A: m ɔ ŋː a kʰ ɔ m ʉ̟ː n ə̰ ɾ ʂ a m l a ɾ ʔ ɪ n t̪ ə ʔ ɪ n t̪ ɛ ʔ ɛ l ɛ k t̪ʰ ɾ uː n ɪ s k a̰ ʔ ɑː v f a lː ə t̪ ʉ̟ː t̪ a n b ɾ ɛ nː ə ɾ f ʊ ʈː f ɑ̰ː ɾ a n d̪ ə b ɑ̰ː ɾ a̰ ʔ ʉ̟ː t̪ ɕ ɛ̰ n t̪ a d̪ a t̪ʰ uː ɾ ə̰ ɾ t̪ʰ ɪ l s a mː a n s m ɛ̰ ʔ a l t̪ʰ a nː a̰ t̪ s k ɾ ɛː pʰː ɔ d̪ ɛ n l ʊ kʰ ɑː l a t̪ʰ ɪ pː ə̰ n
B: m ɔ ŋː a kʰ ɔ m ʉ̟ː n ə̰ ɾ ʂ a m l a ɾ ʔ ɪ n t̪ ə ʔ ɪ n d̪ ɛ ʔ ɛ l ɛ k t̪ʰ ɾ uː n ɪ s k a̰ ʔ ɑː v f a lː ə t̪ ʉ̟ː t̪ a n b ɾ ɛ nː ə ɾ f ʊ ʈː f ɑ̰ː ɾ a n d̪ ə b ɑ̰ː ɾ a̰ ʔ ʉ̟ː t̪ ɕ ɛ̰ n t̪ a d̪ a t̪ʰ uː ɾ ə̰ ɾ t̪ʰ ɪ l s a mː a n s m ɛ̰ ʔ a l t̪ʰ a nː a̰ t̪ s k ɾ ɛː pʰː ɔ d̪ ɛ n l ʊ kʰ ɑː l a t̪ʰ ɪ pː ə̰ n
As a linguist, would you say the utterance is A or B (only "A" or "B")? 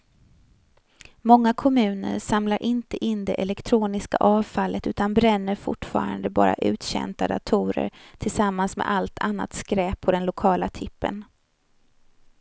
B